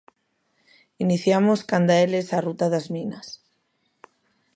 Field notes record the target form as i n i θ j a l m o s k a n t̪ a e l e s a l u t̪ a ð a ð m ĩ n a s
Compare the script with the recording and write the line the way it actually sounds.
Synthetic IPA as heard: i n i θ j a m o s k a n d̪ a e l e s a r u t̪ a ð a z m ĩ n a s